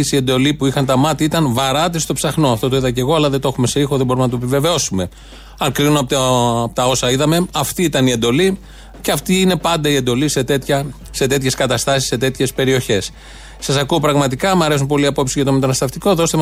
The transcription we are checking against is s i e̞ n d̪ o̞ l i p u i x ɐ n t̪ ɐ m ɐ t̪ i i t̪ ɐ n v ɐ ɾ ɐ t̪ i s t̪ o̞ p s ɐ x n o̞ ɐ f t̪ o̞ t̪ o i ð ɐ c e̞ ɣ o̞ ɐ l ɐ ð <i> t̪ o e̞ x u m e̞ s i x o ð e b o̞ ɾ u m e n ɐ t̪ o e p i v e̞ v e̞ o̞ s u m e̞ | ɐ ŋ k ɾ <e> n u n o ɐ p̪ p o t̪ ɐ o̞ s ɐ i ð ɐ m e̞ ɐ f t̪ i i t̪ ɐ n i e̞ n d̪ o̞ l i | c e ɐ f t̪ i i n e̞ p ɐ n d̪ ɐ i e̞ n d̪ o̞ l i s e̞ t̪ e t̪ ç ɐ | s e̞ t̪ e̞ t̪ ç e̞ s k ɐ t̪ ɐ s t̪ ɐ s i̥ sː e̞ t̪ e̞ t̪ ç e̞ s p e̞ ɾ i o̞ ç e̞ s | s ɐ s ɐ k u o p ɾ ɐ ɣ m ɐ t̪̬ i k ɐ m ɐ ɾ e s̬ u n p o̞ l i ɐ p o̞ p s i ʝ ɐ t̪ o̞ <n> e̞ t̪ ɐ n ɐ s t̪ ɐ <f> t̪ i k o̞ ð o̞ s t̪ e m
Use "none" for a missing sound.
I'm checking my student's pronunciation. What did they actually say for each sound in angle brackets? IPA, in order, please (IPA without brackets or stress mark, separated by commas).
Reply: e, i, m, f